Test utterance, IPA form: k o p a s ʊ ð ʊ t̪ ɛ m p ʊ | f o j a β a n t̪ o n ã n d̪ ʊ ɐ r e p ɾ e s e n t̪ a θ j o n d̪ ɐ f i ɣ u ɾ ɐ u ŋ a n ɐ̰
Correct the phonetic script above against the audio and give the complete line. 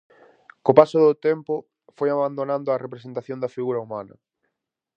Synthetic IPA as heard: k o p a s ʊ ð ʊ t̪ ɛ m p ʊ | f o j a β a n d̪ o n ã n d̪ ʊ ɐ r e p ɾ e s e n t̪ a θ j o n d̪ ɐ f i ɣ u ɾ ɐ u m a n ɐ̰